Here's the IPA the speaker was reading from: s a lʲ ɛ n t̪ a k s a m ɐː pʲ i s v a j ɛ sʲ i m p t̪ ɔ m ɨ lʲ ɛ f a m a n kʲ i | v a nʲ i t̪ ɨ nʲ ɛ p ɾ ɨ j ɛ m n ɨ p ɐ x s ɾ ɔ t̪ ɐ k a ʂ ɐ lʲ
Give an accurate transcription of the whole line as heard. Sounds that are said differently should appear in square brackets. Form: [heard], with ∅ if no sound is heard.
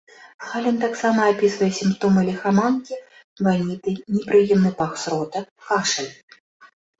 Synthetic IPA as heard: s a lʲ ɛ n t̪ a k s a m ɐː pʲ i s v [ɐ] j ɛ sʲ i m p t̪ ɔ m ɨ lʲ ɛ [x] a m a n kʲ i | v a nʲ i t̪ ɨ nʲ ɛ p ɾ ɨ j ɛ m n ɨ p [a] x s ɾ ɔ t̪ ɐ k a ʂ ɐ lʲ